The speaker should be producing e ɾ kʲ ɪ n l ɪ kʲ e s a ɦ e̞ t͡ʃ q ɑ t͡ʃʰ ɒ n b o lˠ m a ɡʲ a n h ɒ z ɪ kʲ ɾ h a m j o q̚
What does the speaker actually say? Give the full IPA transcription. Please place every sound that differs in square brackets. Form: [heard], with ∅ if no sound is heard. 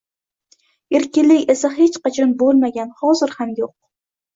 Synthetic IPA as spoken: e ɾ kʲ ɪ n l ɪ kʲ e s a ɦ e̞ t͡ʃ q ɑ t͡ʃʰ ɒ n b o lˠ m a ɡʲ a n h ɒ z ɪ [∅] ɾ h a m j o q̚